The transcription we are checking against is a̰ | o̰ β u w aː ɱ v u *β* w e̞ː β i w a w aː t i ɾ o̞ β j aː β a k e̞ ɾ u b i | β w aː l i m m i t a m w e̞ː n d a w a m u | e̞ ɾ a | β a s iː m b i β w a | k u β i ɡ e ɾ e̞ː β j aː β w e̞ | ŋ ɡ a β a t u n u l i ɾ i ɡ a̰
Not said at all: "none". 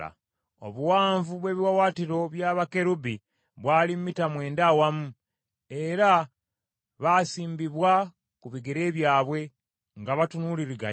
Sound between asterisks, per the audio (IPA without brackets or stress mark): β